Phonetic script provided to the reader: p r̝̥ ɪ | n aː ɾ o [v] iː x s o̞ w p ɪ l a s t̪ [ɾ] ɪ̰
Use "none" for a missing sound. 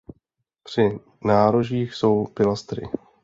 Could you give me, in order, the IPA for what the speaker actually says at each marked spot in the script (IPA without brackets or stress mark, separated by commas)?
ʒ, ɾ